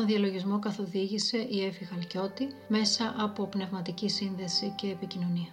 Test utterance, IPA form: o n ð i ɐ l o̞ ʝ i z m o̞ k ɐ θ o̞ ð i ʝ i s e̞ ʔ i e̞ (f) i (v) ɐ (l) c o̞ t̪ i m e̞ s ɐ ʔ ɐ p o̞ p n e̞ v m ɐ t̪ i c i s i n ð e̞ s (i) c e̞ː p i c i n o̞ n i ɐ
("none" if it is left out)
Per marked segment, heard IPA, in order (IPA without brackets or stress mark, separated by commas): f, ɣ, l, i